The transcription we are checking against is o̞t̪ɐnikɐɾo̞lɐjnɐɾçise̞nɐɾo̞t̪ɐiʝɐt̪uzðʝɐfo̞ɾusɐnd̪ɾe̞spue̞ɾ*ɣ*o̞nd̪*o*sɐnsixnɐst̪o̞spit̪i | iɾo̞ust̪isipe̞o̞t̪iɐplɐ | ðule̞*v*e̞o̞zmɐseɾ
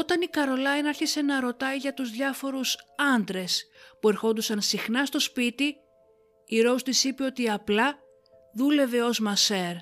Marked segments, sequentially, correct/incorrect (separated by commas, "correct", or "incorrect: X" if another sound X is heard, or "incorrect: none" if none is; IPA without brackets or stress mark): incorrect: x, incorrect: u, correct